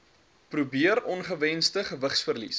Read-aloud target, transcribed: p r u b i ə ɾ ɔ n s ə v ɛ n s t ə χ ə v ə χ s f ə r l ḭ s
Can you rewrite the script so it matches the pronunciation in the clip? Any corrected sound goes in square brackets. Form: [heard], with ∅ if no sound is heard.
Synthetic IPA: p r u b i ə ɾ ɔ n [χ] ə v ɛ n s t ə χ ə v ə χ s f ə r l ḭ s